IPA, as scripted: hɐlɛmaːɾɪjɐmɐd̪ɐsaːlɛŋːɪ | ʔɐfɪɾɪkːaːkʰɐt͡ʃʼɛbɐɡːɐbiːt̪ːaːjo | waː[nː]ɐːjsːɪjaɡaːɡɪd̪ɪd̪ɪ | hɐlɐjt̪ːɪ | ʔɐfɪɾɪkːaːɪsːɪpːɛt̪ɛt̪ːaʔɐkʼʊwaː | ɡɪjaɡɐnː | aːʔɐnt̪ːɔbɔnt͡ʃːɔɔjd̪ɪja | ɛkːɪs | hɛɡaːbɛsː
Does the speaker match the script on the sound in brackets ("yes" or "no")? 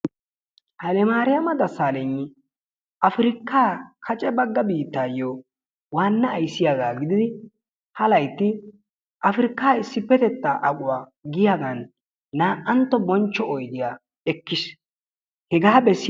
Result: yes